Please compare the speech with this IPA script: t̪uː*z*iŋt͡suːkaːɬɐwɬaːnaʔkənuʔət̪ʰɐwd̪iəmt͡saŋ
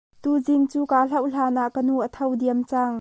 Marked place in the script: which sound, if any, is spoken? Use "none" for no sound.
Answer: z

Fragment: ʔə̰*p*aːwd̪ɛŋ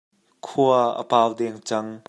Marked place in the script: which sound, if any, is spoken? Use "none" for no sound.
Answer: p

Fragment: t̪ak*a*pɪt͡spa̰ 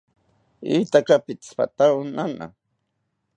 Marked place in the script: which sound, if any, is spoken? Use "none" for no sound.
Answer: a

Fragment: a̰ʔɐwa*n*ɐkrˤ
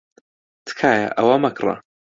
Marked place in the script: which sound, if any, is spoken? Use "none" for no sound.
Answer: m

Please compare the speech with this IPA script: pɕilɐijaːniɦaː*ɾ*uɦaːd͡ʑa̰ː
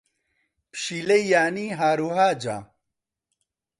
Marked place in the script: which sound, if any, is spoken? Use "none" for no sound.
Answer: ɾ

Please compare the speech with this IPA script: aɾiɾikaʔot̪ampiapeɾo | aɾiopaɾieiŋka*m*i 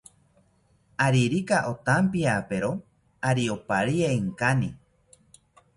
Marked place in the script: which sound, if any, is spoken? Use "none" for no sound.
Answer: n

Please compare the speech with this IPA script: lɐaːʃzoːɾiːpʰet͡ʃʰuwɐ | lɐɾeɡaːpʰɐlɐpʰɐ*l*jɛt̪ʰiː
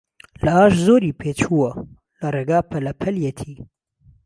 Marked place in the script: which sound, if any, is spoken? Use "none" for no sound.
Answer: l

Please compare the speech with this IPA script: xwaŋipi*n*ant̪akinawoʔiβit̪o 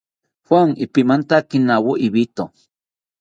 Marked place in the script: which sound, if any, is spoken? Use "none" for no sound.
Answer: m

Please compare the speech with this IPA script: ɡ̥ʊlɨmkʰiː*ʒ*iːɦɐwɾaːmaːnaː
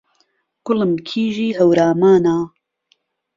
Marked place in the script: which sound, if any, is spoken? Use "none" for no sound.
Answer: ʒ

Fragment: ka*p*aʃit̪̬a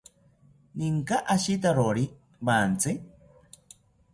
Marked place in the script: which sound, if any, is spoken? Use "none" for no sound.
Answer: ʔ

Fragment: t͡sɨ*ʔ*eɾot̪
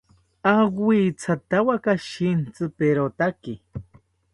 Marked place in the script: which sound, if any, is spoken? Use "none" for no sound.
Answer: p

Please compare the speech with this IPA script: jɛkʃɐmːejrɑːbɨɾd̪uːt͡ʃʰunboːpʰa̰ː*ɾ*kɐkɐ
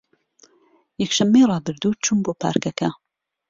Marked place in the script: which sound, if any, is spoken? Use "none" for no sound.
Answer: ɾ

